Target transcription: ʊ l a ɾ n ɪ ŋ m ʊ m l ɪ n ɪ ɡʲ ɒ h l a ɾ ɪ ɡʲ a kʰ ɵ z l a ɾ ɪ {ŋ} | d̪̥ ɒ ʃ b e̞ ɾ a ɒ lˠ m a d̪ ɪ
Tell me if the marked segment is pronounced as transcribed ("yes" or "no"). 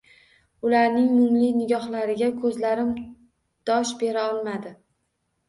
no